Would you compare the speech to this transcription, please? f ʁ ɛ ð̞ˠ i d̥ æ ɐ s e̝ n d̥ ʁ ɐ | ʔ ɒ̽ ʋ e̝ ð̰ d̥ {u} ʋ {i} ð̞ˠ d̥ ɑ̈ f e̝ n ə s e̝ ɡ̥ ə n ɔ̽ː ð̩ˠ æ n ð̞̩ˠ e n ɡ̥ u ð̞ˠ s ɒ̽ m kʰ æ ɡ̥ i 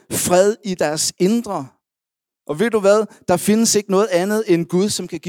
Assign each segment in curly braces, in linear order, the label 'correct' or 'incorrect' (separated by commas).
correct, incorrect